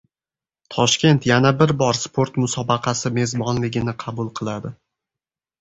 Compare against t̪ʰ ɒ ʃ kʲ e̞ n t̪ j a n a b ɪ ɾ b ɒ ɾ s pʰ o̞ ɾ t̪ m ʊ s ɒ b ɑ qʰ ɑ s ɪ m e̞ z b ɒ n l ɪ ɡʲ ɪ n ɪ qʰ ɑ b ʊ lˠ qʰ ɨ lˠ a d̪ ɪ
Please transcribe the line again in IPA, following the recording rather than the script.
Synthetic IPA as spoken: t̪ʰ ɒ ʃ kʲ e̞ n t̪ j a n a b ɪ ɾ b ɒ ɾ s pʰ o̞ ɾ t̪ m ʊ s ɒ b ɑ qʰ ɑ s ɪ m e̞ z b ɒ n l ɪ ɡʲ ɪ n ɪ qʰ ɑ b ʊ lˠ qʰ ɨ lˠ a d̪ ɪ